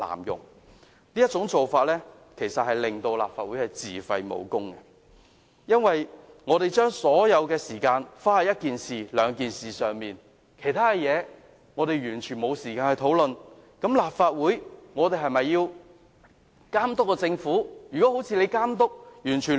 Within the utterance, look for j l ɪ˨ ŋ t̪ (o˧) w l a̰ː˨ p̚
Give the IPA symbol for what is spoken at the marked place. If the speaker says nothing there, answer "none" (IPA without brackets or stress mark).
o˧